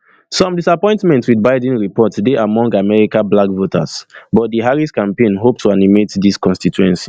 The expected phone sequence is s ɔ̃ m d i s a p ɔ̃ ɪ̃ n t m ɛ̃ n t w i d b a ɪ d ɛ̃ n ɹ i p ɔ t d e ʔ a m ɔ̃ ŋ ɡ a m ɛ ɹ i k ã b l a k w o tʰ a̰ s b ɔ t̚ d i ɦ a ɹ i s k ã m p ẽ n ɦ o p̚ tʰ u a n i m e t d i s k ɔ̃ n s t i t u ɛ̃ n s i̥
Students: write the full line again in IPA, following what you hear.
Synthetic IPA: s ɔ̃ m d i s a p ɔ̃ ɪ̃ n t m ɛ̃ n t w i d b a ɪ d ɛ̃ n ɹ i p ɔ t d e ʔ a m ɔ̃ ŋ ɡ a m ɛ ɹ i k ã b l a k v o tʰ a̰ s b ɔ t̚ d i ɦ a ɹ i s k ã m p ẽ n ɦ o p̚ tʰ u a n i m e t d i s k ɔ̃ n s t i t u ɛ̃ n s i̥